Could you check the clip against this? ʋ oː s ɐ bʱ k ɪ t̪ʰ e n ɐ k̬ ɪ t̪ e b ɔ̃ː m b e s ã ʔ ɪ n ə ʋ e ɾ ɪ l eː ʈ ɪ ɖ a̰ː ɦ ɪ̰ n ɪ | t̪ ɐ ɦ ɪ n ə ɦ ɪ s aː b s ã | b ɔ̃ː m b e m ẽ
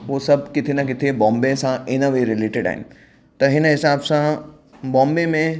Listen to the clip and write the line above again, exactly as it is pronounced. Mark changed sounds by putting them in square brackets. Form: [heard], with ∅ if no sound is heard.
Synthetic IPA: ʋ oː s ɐ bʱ k ɪ t̪ʰ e n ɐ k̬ ɪ [t̪ʰ] e b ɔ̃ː m b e s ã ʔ ɪ n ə ʋ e ɾ ɪ l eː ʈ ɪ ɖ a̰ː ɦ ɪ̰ n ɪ | t̪ ɐ ɦ ɪ n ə ɦ ɪ s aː b s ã | b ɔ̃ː m b e m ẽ